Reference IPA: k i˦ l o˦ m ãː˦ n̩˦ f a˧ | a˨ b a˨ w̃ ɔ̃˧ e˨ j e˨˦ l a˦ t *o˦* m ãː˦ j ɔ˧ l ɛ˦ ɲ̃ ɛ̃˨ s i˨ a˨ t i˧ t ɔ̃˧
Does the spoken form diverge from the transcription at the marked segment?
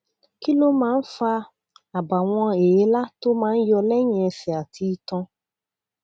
no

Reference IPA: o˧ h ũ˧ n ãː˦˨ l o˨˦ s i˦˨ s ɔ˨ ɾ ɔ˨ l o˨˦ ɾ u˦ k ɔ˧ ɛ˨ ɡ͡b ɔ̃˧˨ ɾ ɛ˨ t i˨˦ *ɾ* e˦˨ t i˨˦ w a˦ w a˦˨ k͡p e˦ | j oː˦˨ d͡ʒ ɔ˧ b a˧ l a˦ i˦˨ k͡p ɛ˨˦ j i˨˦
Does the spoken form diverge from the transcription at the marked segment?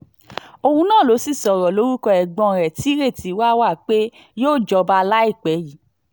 no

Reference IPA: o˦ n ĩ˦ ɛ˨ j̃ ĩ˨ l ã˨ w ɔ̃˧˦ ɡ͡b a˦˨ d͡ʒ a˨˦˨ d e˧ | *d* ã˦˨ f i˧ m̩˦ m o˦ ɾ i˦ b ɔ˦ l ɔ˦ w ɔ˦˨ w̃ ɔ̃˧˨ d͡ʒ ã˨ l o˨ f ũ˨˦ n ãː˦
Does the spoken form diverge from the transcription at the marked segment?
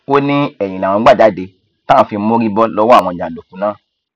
yes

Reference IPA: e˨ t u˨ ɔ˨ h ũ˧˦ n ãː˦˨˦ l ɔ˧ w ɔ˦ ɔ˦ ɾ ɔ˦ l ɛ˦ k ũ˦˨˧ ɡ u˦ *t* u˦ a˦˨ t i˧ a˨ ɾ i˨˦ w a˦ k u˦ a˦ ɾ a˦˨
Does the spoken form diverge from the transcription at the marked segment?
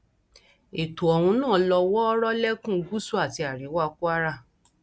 yes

